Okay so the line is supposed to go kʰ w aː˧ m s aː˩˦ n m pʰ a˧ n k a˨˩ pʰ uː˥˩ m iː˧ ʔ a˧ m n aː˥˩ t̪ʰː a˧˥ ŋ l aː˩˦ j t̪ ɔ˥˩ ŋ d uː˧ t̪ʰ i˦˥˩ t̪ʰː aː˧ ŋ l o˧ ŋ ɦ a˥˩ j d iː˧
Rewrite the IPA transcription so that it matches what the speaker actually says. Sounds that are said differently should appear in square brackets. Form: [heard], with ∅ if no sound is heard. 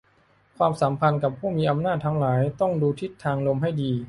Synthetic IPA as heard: kʰ w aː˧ m s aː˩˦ [∅] m pʰ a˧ n k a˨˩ pʰ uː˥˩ m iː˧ ʔ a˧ m n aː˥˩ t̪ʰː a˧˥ ŋ l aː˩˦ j t̪ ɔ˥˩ ŋ d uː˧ t̪ʰ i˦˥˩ t̪ʰː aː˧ ŋ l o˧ [m] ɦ a˥˩ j d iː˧